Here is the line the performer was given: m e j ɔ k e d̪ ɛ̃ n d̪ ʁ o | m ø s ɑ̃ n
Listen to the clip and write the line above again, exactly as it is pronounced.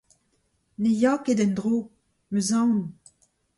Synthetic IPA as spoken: n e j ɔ k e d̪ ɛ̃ n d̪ ʁ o | m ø z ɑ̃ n

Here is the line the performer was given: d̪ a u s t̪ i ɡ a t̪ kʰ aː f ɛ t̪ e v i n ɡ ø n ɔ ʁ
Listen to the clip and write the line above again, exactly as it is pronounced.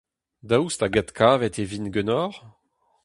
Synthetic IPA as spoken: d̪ a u s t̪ a ɡ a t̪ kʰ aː v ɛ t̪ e v i n ɡ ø n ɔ ʁ

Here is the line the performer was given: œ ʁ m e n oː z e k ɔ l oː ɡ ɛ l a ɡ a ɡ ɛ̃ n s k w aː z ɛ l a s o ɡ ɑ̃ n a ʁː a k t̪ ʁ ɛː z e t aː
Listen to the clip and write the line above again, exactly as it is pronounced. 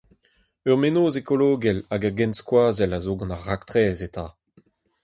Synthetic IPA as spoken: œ ʁ m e n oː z e k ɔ l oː ɡ ɛ l a ɡ a ɡ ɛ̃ n s k w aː z ɛ l a z o ɡ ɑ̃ n a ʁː a k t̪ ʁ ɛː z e t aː

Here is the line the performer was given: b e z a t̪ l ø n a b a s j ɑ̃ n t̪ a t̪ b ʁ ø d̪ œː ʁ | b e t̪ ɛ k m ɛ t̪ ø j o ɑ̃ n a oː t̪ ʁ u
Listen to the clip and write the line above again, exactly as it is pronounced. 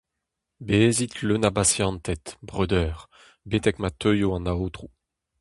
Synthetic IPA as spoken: b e z i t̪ l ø n a b a s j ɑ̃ n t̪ ɛ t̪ b ʁ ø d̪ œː ʁ | b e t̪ ɛ k m a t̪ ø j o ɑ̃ n a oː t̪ ʁ u

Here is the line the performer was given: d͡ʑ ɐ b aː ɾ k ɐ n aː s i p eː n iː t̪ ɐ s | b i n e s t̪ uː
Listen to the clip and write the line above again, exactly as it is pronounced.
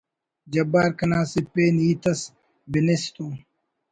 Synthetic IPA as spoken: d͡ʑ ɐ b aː ɾ k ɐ n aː s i p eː n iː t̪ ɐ s | b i n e s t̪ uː

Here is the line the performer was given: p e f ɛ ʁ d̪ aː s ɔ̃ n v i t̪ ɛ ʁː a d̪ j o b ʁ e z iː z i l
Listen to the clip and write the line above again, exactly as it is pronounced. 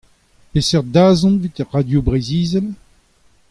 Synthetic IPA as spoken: p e s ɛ ʁ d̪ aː z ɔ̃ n v i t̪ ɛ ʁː a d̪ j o b ʁ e z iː z ɛ l

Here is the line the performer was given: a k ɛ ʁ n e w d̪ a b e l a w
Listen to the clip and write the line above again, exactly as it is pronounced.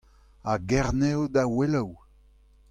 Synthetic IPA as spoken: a ɡ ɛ ʁ n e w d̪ a w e l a w

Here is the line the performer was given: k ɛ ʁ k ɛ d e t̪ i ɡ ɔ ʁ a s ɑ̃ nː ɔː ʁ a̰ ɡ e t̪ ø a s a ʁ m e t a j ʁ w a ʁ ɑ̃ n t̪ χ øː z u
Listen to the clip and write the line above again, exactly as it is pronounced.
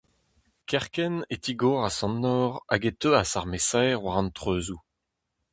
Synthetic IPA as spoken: k ɛ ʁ k ɛ n e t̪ i ɡ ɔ ʁ a s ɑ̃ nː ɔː ʁ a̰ ɡ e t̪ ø a s a ʁ m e s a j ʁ w a ʁ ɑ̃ n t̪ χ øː z u

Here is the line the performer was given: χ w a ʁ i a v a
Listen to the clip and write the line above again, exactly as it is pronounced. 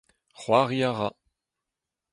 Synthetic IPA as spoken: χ w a ʁ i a ʁ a

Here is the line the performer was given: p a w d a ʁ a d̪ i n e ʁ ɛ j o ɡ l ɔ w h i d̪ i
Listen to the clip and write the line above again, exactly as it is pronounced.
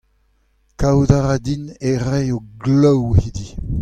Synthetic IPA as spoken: k a w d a ʁ a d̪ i n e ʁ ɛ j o ɡ l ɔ w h i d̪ i

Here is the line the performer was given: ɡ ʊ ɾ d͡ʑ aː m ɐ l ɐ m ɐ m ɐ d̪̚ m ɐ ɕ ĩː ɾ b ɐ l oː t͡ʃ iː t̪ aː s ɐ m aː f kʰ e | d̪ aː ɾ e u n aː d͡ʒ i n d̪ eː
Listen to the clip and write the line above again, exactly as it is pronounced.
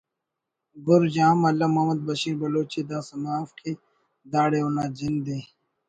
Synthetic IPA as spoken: ɡ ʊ ɾ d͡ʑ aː m ɐ l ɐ m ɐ m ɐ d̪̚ b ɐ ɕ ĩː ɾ b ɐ l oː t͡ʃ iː d̪ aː s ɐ m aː f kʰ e | d̪ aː ɽ e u n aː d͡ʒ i n d̪ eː

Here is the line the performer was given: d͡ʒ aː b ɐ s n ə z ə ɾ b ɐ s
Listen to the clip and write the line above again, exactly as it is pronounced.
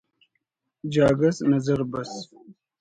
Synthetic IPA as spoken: d͡ʒ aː ɡ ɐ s n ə z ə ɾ b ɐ s

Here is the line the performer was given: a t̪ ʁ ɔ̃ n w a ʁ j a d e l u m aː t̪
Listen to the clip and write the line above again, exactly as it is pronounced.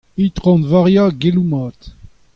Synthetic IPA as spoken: i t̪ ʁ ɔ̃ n v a ʁ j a ɡ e l u m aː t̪

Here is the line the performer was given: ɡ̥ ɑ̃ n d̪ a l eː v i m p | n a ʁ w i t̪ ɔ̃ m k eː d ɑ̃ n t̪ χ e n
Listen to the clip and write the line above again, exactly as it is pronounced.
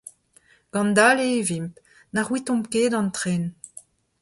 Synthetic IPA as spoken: ɡ̥ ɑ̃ n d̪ a l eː v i m p | n a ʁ w i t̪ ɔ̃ m k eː d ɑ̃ n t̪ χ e n

